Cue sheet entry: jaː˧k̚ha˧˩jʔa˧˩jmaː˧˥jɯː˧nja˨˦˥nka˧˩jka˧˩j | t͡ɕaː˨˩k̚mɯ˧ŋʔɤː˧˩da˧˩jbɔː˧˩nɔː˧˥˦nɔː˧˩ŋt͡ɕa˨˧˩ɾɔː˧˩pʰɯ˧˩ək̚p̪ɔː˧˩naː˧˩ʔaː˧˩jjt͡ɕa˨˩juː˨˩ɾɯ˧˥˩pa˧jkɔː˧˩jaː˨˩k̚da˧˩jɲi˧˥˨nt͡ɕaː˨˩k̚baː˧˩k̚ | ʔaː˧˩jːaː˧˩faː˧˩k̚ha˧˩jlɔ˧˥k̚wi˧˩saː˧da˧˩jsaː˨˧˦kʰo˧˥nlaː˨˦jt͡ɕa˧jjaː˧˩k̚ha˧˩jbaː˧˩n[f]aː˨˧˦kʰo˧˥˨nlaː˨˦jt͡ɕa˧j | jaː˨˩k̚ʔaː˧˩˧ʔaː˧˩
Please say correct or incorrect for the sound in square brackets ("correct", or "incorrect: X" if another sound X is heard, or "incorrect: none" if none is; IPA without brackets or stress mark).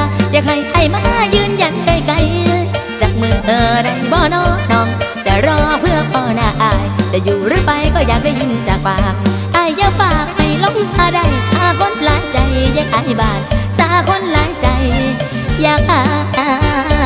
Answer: incorrect: s